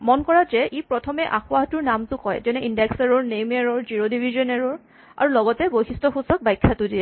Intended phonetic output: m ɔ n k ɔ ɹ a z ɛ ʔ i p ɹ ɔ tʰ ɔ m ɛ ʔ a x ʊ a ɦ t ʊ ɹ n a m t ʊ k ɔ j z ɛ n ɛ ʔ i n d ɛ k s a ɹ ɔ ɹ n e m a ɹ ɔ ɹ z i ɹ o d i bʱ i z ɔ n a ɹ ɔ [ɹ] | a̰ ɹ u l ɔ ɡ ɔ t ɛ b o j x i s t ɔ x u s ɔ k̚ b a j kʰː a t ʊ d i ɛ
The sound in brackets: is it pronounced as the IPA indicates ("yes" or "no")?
yes